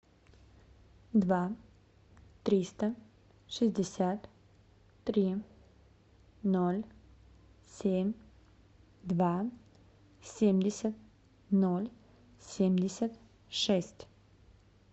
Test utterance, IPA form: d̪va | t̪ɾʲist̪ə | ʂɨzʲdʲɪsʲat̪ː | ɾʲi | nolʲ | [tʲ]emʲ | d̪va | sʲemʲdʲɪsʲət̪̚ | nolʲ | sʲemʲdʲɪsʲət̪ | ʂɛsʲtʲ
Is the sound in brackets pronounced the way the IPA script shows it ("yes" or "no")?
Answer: no